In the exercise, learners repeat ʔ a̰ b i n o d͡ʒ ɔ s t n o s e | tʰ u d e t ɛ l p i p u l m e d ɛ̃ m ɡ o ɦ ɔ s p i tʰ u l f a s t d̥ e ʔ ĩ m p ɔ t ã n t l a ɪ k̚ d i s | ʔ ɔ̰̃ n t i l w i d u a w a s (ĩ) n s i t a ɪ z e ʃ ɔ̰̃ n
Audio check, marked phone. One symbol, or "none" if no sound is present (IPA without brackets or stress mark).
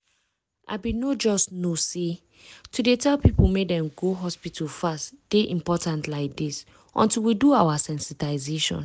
ɛ̃